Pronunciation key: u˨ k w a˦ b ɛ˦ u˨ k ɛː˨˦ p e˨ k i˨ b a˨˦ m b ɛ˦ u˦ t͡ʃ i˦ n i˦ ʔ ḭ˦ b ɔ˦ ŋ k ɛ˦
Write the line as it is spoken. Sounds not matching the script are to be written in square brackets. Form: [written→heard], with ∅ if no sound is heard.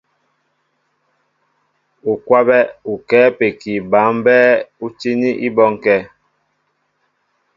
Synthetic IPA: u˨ k w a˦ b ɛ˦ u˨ k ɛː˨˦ p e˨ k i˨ b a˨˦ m b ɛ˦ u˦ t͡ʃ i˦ n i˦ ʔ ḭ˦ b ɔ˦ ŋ k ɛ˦